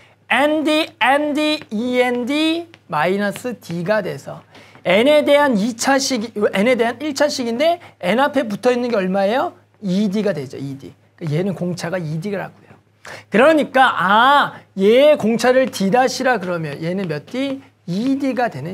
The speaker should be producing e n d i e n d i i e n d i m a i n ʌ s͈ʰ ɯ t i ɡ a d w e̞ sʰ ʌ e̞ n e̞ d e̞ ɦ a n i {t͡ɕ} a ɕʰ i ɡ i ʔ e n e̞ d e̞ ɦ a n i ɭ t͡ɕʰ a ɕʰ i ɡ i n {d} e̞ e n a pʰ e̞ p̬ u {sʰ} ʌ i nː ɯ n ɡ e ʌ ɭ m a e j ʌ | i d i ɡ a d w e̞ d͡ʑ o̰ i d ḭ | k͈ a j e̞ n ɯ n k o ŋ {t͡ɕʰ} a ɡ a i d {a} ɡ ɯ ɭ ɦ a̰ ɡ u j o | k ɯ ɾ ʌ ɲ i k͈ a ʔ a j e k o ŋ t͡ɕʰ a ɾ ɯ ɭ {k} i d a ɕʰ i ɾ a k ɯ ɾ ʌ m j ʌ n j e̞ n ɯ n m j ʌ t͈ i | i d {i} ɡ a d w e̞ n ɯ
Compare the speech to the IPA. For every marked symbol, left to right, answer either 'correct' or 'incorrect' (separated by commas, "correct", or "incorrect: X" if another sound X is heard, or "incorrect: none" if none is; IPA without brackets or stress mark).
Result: incorrect: t͡ɕʰ, correct, incorrect: tʰ, correct, incorrect: i, incorrect: t, correct